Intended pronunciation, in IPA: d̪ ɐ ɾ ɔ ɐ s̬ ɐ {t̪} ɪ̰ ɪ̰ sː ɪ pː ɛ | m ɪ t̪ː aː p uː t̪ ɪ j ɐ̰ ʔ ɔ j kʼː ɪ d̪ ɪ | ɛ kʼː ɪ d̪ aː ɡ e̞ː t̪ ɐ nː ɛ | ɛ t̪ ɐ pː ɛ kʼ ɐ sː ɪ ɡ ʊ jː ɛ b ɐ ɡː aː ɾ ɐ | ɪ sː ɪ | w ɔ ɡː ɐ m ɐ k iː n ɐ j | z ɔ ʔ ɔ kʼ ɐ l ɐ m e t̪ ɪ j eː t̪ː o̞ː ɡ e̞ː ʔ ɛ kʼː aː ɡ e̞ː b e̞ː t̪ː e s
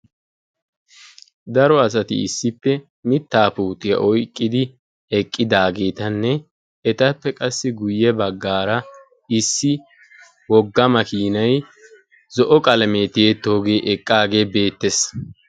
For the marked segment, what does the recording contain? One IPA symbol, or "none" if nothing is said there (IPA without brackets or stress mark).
t̪